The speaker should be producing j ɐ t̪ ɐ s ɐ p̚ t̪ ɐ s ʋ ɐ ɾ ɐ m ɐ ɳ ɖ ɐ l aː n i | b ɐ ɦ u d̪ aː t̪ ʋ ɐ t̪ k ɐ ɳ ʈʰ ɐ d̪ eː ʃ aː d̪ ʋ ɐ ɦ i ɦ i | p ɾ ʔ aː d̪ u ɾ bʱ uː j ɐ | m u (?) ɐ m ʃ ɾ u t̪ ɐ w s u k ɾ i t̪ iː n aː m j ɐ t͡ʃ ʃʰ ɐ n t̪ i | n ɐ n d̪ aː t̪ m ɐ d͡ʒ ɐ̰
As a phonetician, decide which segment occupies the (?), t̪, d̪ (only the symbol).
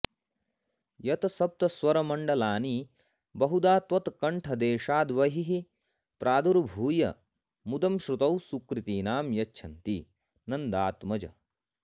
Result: d̪